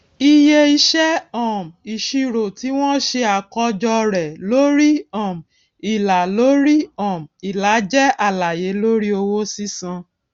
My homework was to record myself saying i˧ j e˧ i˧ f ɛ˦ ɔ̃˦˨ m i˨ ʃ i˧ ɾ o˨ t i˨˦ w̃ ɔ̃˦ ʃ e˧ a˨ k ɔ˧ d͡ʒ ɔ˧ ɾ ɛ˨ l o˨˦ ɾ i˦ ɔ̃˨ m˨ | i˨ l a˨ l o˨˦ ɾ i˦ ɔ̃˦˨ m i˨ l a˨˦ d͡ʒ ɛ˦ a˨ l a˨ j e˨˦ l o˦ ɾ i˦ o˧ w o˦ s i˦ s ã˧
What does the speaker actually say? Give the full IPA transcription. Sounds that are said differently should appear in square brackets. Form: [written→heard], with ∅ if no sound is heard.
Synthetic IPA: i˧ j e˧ i˧ [f→ʃ] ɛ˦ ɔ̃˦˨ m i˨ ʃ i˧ ɾ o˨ t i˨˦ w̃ ɔ̃˦ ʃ e˧ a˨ k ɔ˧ d͡ʒ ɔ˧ ɾ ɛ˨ l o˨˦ ɾ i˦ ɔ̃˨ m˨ | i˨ l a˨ l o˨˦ ɾ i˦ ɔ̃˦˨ m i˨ l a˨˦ d͡ʒ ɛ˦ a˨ l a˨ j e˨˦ l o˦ ɾ i˦ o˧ w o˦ s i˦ s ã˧